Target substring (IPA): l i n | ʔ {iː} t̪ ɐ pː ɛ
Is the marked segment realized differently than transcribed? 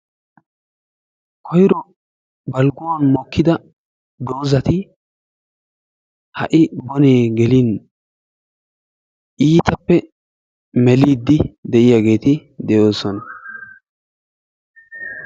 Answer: no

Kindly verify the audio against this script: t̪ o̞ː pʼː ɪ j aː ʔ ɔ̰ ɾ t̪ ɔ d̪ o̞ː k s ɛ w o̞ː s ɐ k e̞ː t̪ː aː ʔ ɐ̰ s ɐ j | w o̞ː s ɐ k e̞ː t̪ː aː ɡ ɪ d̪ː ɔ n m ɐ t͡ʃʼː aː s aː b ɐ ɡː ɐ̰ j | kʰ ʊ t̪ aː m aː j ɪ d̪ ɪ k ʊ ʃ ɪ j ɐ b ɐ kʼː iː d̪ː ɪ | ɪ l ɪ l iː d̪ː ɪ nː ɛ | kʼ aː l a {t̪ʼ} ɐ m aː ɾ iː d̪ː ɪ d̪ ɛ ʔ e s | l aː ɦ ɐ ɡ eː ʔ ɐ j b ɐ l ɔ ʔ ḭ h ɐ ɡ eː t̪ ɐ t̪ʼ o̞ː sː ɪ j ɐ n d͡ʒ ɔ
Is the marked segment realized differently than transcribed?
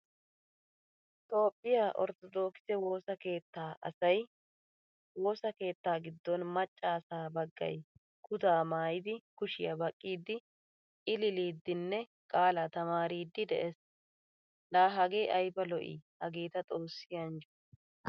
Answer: yes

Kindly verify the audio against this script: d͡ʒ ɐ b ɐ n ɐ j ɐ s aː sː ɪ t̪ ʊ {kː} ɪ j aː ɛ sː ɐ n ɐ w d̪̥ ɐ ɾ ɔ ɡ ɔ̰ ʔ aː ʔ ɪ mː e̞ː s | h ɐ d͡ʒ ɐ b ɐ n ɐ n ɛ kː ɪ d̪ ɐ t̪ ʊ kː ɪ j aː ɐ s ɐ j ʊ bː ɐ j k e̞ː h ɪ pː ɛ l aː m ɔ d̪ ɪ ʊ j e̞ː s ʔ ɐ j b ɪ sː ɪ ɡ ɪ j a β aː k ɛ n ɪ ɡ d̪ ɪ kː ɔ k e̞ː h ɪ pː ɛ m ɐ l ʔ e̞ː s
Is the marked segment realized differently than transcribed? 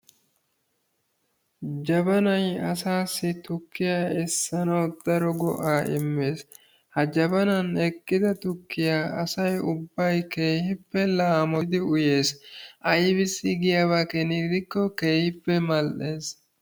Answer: no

